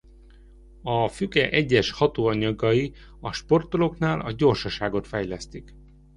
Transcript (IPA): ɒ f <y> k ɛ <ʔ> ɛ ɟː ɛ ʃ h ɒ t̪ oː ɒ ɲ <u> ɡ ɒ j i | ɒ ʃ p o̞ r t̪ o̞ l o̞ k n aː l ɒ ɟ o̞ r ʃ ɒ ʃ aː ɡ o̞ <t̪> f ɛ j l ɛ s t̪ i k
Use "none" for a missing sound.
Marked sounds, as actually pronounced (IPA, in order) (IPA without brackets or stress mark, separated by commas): y, ʔ, ɒ, t̪